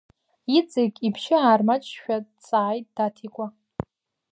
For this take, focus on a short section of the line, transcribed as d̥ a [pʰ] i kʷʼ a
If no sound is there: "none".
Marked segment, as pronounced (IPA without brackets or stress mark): tʰ